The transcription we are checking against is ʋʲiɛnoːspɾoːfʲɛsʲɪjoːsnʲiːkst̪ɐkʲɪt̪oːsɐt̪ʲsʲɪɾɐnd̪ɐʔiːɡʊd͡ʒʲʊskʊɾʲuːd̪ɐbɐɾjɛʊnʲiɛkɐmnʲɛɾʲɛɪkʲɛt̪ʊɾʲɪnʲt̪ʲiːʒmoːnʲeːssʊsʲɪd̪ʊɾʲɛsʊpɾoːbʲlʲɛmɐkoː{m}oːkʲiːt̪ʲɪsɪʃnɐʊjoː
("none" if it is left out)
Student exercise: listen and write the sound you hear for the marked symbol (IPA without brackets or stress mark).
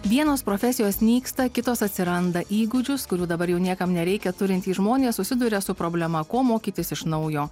m